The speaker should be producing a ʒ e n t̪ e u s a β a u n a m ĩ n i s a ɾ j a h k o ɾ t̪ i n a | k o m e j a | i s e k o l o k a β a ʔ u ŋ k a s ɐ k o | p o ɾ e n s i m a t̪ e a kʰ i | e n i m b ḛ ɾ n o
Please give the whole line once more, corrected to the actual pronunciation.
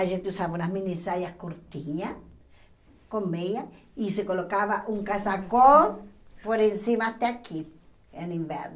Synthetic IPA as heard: a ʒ e n t̪ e u s a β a u n a m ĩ n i s a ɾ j a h k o ɾ t̪ i ɲ a | k o m e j a | i s e k o l o k a β a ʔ u ŋ k a s a k o | p o ɾ e n s i m a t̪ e a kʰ i | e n i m b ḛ ɾ n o